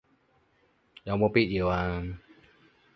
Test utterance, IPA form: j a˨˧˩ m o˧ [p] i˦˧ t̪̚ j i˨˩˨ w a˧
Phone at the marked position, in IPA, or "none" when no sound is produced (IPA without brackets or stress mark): p